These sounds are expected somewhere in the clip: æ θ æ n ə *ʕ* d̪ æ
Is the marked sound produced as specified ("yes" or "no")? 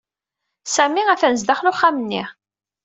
no